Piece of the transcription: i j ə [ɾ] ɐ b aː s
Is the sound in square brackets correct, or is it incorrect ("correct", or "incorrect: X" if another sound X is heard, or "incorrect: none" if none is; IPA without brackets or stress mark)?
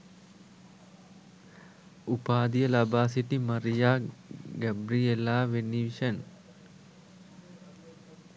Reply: incorrect: l